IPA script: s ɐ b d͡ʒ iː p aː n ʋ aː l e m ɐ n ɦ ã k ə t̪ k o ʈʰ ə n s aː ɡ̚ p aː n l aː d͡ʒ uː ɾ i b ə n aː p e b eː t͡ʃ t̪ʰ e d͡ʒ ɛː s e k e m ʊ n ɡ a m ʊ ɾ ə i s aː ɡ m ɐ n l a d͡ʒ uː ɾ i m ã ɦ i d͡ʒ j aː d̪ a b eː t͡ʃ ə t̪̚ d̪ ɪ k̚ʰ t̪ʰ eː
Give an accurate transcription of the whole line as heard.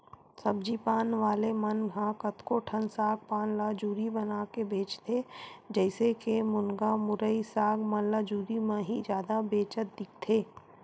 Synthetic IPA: s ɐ b d͡ʒ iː p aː n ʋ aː l e m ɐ n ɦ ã k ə t̪ k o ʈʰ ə n s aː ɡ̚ p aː n l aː d͡ʒ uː ɾ i b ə n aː k e b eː t͡ʃ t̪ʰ e d͡ʒ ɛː s e k e m ʊ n ɡ a m ʊ ɾ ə i s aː ɡ m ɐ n l a d͡ʒ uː ɾ i m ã ɦ i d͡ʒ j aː d̪ a b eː t͡ʃ ə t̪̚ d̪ ɪ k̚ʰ t̪ʰ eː

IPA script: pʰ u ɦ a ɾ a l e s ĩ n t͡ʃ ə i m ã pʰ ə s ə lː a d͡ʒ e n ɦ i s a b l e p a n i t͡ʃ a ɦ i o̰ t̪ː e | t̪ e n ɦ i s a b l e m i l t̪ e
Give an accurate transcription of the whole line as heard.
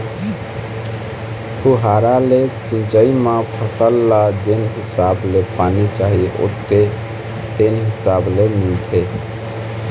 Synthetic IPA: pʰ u ɦ a ɾ a l e s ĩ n t͡ʃ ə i m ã pʰ ə s ə lː a d͡ʒ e n ɦ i s a b l e p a n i t͡ʃ a ɦ i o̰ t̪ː e | t̪ e n ɦ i s a b l e m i l t̪ʰ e

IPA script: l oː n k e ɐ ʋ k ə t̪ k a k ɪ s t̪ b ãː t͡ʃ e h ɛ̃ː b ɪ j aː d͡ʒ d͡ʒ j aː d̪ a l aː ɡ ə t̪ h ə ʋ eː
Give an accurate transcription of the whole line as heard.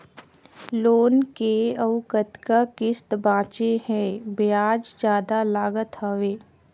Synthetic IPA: l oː n k e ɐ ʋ k ə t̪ k a k ɪ s t̪ b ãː t͡ʃ e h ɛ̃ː b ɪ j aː d͡ʒ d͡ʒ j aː d̪ a l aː ɡ ə t̪ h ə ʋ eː

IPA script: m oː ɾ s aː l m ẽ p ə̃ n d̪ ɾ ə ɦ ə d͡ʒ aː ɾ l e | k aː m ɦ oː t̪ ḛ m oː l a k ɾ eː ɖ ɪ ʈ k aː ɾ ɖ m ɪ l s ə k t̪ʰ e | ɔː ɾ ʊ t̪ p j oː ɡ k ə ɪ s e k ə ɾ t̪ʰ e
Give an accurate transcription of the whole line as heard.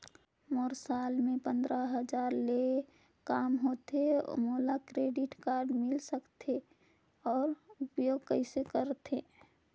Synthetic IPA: m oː ɾ s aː l m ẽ p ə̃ n d̪ ɾ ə ɦ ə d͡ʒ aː ɾ l e | k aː m ɦ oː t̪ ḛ m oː l a k ɾ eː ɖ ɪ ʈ k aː ɾ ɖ m ɪ l s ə k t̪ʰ e | ɔː ɾ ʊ p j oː ɡ k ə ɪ s e k ə ɾ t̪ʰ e

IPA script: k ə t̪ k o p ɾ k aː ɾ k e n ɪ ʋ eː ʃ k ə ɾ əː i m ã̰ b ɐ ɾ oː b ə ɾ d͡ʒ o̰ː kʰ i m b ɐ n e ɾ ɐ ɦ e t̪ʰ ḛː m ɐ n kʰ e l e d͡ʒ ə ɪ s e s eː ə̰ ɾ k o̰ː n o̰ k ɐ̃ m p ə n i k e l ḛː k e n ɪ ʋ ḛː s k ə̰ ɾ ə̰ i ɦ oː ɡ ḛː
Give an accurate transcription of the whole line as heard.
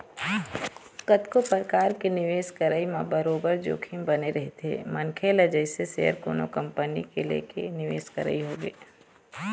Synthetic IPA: k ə t̪ k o p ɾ k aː ɾ k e n ɪ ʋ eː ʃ k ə ɾ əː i m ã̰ b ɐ ɾ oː b ə ɾ d͡ʒ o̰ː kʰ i m b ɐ n e ɾ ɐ ɦ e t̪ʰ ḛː m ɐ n kʰ e l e d͡ʒ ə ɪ s e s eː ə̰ ɾ k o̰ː n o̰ k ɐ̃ m p ə n i k e l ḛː k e n ɪ ʋ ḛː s k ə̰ ɾ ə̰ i ɦ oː ɡ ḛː

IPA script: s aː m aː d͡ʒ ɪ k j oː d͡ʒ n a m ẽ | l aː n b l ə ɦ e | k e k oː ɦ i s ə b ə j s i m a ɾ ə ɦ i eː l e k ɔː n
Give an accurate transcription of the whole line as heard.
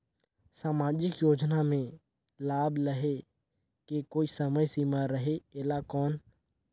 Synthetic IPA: s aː m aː d͡ʒ ɪ k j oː d͡ʒ n a m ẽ | l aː b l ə ɦ e | k e k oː i s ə m ə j s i m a ɾ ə ɦ e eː l a k ɔː n

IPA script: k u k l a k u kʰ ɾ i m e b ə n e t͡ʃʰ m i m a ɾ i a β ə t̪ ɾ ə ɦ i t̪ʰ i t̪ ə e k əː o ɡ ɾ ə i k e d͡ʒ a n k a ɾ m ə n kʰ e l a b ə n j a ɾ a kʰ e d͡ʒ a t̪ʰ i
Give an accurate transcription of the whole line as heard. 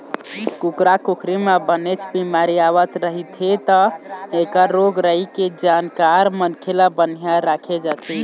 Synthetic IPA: k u k ɾ a k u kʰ ɾ i m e b ə n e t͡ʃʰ b i m a ɾ i a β ə t̪ ɾ ə ɦ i t̪ʰ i t̪ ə e k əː o ɡ ɾ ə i k e d͡ʒ a n k a ɾ m ə n kʰ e l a b ə n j a ɾ a kʰ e d͡ʒ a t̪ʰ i

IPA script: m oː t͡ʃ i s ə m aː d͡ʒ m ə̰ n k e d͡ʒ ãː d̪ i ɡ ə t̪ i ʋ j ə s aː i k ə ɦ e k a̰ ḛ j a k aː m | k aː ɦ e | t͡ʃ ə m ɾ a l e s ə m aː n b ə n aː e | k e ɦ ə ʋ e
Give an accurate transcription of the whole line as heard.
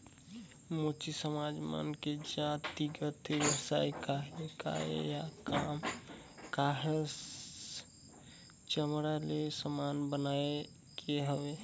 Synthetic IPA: m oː t͡ʃ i s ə m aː d͡ʒ m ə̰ n k e d͡ʒ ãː t̪ i ɡ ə t̪ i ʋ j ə s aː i k a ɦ e k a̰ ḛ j a k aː m | k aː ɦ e | t͡ʃ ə m ɾ a l e s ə m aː n b ə n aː e | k e ɦ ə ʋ e

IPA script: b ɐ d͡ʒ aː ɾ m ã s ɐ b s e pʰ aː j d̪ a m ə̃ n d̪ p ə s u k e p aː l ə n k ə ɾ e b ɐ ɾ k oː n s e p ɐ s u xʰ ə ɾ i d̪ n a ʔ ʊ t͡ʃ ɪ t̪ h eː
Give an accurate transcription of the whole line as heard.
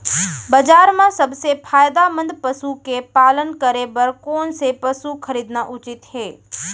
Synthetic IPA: b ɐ d͡ʒ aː ɾ m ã s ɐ b s e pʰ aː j d̪ a m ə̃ n d̪ p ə s u k e p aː l ə n k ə ɾ e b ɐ ɾ k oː n s e p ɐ s u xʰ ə ɾ iː d̪ n a ʔ ʊ t͡ʃ ɪ t̪ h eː

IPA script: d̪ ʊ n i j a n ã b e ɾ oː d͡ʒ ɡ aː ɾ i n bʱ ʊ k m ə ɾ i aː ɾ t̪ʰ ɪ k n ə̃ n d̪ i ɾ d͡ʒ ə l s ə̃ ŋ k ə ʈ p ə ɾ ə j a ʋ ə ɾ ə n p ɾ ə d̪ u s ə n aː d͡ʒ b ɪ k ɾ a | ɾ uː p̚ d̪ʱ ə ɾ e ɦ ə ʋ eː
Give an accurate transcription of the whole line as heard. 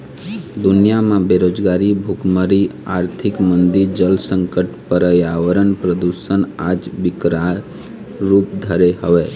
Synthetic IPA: d̪ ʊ n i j a m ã b e ɾ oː d͡ʒ ɡ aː ɾ i bʱ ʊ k m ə ɾ i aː ɾ t̪ʰ ɪ k m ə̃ n d̪ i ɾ d͡ʒ ə l s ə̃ ŋ k ə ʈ p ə ɾ ə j a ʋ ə ɾ ə n p ɾ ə d̪ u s ə n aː d͡ʒ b ɪ k ɾ a | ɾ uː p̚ d̪ʱ ə ɾ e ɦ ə ʋ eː

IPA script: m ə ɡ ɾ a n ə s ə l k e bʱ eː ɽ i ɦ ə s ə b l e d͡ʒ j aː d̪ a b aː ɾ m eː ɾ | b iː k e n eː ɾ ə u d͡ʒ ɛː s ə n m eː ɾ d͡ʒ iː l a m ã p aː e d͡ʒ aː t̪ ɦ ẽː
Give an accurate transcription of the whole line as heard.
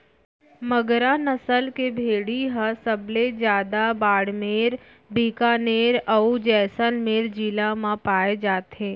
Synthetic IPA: m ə ɡ ɾ a n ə s ə l k e bʱ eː ɽ i ɦ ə s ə b l e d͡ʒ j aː d̪ a b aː ɽ m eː ɾ | b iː k a n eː ɾ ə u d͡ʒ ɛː s ə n m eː ɾ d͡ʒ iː l a m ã p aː e d͡ʒ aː t̪ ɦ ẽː

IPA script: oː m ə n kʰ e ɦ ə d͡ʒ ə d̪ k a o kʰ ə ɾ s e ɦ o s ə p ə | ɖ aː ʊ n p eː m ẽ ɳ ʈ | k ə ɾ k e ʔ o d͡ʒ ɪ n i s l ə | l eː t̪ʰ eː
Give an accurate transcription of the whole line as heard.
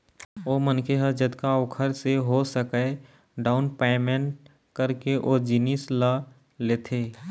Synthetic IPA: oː m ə n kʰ e ɦ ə d͡ʒ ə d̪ k a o kʰ ə ɾ s e ɦ o s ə k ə | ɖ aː ʊ n p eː m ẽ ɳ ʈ | k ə ɾ k e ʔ o d͡ʒ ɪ n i s l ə | l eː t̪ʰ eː

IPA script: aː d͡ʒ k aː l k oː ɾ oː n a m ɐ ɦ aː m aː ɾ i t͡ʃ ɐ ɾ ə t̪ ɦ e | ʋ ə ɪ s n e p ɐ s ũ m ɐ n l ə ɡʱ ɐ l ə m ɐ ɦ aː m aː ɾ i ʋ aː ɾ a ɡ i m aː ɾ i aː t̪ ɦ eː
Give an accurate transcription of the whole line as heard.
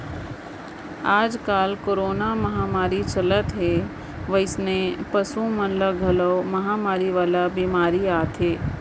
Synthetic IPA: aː d͡ʒ k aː l k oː ɾ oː n a m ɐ ɦ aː m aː ɾ i t͡ʃ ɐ l ə t̪ ɦ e | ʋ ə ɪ s n e p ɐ s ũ m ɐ n l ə ɡʱ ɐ l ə m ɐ ɦ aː m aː ɾ i ʋ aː l a b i m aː ɾ i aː t̪ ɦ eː

